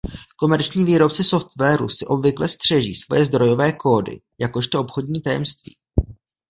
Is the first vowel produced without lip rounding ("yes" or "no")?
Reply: no